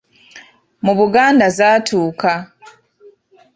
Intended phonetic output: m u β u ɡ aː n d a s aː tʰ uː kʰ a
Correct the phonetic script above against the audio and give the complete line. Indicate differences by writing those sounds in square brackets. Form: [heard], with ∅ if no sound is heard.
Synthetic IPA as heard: m u β u ɡ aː n d a [z] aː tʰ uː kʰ a